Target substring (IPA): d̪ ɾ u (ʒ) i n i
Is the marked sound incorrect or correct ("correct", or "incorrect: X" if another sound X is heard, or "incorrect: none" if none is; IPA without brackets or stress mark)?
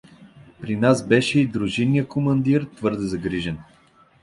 correct